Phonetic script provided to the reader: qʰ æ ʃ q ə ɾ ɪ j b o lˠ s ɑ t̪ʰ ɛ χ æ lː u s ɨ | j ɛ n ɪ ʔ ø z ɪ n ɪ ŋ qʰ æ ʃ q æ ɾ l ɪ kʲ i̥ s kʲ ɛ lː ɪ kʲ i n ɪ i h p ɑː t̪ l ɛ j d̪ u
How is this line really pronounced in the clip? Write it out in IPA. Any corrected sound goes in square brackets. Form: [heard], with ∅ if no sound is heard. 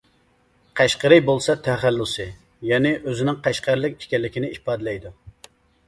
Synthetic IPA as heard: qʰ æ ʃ q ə ɾ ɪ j b o lˠ s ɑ t̪ʰ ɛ χ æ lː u s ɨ | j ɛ n ɪ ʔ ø z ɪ n ɪ ŋ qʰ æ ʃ q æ ɾ l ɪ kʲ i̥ [ʃ] kʲ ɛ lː ɪ kʲ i n ɪ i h p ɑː [d̪] l ɛ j d̪ u